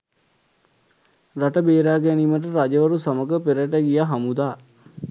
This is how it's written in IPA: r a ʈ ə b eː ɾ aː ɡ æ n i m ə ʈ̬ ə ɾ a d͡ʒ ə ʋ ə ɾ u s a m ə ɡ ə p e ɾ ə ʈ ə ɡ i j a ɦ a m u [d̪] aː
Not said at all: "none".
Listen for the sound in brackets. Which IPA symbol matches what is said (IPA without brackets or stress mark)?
d̪